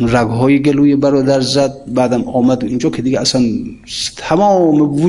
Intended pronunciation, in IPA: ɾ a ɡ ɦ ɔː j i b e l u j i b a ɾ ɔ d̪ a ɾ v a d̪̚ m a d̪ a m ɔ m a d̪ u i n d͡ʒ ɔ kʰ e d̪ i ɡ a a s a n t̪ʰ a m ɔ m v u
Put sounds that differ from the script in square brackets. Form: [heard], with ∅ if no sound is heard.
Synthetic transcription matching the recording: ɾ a ɡ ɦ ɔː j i [ɡ] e l u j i b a ɾ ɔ d̪ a ɾ [z] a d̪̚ [b] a d̪ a m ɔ m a d̪ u i n d͡ʒ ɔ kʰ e d̪ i ɡ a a s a n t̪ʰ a m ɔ m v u